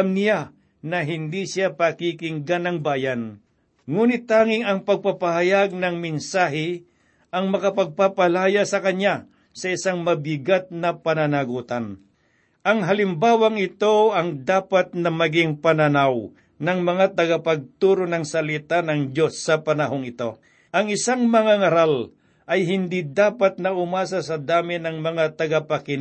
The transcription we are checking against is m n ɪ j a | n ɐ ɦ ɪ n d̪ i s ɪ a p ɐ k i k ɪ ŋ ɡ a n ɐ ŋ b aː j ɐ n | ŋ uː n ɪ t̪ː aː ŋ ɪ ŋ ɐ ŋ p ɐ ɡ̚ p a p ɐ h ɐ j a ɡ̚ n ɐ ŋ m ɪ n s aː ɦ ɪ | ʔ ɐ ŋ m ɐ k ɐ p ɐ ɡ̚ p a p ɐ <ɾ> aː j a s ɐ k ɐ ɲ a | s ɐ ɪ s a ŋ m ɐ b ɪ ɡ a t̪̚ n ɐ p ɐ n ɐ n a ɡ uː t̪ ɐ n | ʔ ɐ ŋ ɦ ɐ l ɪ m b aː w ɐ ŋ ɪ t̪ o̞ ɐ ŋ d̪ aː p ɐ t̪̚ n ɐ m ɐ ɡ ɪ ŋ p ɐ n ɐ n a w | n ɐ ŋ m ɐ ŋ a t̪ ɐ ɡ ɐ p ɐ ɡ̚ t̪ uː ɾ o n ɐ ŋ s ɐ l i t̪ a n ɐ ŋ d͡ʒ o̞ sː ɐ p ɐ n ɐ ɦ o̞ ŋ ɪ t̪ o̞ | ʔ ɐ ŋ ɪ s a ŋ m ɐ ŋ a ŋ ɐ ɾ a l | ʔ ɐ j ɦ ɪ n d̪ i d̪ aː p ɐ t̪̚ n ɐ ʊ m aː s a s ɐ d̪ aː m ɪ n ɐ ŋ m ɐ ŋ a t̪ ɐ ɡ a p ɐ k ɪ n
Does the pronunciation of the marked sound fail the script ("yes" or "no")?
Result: yes